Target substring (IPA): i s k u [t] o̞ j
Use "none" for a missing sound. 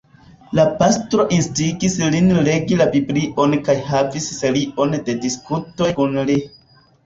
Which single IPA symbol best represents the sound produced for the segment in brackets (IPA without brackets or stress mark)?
t